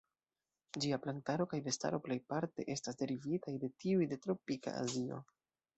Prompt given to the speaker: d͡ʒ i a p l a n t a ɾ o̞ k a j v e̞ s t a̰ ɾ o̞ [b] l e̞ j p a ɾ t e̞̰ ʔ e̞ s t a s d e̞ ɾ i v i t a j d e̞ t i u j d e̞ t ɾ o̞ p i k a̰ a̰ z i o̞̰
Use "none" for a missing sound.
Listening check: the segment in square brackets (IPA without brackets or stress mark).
p